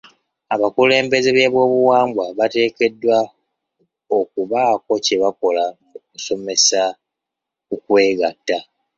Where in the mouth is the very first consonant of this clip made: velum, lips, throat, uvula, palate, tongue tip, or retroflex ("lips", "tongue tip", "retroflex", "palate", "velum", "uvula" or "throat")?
lips